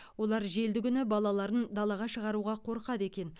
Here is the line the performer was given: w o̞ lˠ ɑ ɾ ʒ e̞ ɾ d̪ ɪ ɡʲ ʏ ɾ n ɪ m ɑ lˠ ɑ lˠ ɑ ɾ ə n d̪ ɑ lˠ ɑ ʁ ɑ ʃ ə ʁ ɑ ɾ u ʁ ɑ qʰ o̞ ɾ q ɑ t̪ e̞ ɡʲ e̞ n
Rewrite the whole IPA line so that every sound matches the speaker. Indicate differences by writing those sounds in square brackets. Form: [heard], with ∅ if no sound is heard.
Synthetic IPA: w o̞ lˠ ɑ ɾ ʒ e̞ [l] d̪ ɪ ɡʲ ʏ [∅] n ɪ [b] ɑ lˠ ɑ lˠ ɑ ɾ ə n d̪ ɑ lˠ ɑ ʁ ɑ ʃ ə ʁ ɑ ɾ u ʁ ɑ qʰ o̞ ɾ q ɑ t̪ e̞ [kʲ] e̞ n